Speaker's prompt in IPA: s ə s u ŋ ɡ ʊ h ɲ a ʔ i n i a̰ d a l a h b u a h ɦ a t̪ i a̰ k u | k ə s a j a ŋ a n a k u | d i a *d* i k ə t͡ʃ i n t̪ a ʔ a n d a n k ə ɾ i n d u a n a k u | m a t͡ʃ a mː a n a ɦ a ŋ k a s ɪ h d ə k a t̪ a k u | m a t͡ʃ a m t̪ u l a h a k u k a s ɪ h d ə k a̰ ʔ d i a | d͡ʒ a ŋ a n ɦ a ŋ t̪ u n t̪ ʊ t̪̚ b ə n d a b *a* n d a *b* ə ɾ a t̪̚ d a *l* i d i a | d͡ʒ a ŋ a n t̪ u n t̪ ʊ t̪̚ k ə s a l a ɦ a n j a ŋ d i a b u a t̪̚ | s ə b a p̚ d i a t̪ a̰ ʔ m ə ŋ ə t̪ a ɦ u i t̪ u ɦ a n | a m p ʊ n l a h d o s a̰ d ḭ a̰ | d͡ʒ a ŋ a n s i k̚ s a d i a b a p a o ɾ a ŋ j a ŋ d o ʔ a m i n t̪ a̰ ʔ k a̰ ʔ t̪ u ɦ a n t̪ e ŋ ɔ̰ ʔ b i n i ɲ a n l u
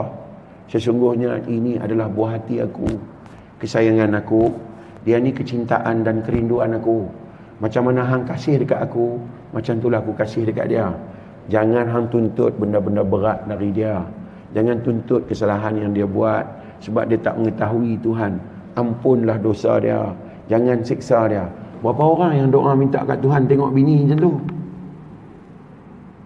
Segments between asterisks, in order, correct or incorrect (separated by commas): incorrect, incorrect, correct, incorrect